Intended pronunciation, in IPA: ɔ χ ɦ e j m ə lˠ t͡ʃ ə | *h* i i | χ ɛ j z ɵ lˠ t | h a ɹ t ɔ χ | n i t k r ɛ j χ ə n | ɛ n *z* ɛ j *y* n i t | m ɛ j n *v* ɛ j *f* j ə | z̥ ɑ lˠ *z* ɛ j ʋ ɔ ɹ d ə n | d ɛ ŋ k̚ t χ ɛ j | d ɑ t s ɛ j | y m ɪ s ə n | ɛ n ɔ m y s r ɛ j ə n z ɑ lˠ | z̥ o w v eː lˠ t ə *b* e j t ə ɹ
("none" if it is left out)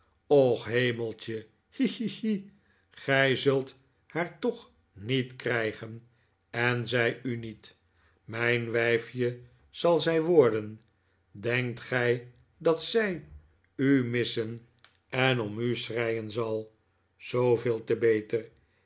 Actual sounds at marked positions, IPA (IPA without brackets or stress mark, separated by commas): h, z, y, ʋ, f, z, b